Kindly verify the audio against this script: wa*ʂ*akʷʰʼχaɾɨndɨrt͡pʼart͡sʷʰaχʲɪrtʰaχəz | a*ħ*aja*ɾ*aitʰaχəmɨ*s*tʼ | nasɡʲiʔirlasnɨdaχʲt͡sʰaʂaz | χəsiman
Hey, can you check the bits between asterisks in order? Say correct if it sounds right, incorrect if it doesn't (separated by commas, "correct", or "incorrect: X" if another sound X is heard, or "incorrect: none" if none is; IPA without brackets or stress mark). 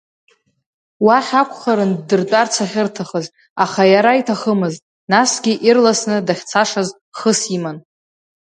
incorrect: ħ, incorrect: χ, correct, incorrect: z